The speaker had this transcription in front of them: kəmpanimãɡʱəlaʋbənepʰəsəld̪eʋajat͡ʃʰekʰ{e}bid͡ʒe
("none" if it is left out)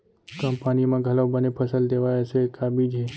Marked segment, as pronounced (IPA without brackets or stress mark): a